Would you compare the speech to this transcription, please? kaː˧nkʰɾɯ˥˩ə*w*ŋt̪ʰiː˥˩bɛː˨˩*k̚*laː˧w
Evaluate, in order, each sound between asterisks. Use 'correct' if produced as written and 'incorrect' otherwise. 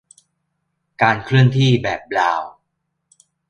incorrect, incorrect

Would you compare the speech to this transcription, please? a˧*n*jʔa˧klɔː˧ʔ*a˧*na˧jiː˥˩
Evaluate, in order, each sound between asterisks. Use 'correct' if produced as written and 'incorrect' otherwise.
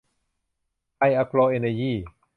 incorrect, incorrect

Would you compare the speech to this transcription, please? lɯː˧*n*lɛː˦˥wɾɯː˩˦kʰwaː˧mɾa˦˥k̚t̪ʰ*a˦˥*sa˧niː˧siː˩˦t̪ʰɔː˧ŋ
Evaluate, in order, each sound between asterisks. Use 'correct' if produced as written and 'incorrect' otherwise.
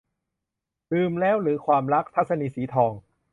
incorrect, correct

